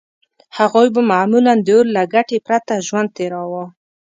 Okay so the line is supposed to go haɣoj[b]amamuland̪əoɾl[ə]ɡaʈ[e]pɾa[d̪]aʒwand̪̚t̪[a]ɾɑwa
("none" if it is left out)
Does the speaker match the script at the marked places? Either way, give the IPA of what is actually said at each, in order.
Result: b, a, e, t̪, e

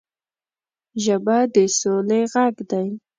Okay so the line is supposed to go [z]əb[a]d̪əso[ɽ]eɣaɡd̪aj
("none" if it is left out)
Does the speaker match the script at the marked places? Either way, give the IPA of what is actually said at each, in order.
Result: ʒ, a, l

